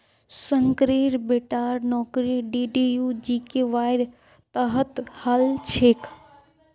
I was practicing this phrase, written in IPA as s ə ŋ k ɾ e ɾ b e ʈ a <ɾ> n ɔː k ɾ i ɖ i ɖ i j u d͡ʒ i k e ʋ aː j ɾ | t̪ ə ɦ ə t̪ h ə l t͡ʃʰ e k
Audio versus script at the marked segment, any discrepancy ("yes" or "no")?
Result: no